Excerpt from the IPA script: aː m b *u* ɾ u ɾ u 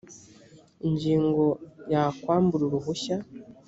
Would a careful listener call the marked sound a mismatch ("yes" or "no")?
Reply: no